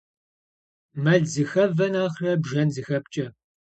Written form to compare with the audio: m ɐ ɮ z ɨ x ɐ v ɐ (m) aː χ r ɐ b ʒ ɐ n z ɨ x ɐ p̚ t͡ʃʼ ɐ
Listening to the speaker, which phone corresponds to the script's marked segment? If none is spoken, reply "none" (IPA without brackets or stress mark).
n